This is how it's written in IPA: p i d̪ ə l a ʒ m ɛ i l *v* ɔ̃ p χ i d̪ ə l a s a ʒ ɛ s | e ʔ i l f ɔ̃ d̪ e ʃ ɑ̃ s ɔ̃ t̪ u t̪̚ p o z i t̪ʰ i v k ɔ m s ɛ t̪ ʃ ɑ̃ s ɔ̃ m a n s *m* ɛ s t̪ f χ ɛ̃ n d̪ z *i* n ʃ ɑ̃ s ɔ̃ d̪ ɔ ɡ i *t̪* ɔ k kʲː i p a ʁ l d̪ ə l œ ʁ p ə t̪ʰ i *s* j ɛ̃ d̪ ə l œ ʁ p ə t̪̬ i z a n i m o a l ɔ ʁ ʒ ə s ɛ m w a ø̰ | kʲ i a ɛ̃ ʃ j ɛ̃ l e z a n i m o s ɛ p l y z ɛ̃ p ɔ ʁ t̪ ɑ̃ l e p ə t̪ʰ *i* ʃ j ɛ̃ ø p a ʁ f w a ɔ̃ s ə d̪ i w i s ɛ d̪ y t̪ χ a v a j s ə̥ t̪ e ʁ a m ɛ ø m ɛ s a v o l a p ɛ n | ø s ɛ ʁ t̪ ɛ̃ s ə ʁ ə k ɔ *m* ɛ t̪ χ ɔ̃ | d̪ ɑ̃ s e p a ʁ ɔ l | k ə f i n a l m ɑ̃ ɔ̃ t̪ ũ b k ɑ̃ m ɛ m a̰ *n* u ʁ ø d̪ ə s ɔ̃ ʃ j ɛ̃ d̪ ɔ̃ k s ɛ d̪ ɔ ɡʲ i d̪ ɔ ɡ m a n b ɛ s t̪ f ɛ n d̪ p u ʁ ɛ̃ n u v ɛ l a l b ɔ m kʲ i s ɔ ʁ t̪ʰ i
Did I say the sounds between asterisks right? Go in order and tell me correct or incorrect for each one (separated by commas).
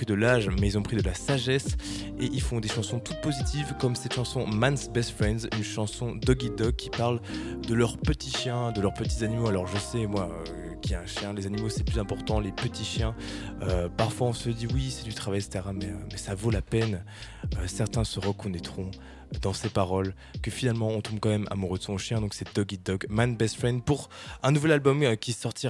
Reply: incorrect, incorrect, incorrect, incorrect, incorrect, correct, incorrect, incorrect